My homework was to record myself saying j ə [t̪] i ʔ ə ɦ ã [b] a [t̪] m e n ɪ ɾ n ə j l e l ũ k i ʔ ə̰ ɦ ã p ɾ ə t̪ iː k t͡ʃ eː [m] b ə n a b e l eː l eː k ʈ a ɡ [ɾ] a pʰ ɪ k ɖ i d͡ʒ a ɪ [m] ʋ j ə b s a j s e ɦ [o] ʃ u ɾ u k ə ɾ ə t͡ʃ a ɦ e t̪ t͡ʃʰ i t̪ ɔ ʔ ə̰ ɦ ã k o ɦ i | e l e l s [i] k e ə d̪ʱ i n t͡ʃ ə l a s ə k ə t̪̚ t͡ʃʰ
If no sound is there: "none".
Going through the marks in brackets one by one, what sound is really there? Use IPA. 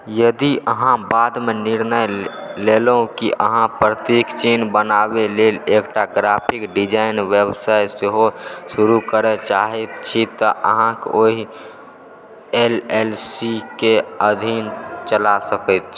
d̪, b, d̪, n, ɾ, n, o, i

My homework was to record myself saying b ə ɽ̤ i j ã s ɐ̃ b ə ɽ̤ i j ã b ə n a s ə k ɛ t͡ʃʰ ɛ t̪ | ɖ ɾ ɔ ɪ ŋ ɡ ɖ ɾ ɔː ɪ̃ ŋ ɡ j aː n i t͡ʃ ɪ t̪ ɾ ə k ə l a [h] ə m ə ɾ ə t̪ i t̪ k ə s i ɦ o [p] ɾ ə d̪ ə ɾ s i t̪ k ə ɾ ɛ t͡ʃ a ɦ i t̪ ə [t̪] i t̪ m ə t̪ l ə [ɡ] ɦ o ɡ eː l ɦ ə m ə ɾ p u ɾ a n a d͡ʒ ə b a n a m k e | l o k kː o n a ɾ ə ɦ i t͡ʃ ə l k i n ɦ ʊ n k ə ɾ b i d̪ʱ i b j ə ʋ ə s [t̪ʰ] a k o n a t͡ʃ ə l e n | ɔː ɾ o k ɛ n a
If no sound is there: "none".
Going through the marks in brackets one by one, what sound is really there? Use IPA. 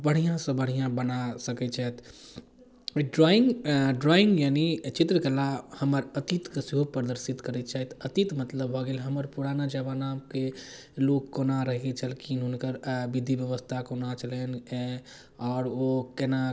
h, p, t̪, b, t̪ʰ

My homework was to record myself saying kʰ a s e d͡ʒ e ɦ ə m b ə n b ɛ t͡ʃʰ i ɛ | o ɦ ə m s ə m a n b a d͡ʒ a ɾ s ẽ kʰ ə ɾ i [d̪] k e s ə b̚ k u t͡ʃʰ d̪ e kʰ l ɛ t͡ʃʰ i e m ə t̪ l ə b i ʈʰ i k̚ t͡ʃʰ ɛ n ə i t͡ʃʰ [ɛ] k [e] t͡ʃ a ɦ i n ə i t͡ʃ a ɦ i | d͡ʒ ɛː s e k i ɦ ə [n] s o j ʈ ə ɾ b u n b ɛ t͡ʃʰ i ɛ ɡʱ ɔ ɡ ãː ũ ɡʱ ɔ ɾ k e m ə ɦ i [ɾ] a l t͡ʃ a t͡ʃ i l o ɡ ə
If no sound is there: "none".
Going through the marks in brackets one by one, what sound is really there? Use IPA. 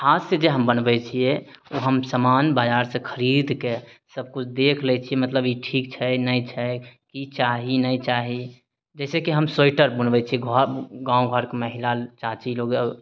d̪, ɛ, i, m, l

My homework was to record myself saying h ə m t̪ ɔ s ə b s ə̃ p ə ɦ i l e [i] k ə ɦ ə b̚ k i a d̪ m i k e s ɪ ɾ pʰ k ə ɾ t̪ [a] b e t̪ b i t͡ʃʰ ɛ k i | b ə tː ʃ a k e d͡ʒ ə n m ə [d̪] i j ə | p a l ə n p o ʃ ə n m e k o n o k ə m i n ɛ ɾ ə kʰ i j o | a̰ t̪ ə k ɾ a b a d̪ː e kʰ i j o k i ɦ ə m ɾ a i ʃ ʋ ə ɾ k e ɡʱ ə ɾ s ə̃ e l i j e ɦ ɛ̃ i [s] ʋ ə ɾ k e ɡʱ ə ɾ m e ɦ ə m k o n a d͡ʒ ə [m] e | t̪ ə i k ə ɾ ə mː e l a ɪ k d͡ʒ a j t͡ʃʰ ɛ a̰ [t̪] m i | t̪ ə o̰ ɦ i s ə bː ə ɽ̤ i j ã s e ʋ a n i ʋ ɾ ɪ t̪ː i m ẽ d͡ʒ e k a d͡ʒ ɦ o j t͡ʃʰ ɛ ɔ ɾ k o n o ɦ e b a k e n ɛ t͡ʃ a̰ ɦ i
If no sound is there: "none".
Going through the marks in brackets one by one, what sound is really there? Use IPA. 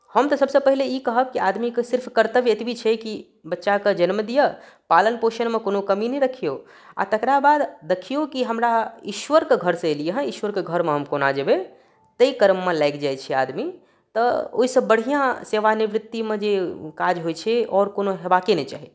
i, ə, d̪, ʃ, b, d̪

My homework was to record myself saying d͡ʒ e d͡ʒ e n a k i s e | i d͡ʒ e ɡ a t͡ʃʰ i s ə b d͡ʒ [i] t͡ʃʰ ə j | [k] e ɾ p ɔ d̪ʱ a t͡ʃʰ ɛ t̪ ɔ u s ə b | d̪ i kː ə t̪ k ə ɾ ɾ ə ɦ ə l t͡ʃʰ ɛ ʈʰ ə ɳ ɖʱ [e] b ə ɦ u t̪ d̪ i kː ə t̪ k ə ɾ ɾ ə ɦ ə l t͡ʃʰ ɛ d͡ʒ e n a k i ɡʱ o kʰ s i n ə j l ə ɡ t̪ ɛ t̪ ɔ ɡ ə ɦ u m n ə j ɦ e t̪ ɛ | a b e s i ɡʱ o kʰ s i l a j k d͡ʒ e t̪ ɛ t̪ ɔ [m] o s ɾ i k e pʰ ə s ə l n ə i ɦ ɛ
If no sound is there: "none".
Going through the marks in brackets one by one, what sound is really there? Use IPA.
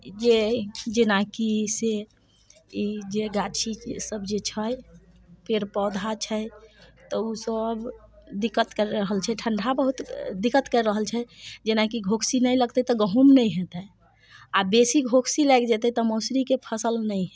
e, p, a, m

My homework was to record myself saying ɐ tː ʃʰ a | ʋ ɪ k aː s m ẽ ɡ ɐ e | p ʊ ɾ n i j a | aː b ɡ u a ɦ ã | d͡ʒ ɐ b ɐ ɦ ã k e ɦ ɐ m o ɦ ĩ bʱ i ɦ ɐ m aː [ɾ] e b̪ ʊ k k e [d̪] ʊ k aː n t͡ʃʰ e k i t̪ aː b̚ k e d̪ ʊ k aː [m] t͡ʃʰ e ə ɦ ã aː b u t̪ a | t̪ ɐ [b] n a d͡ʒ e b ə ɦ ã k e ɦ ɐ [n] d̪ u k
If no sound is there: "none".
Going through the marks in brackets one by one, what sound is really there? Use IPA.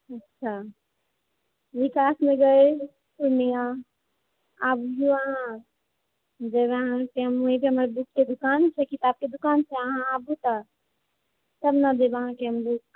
ɾ, d̪, n, b, m

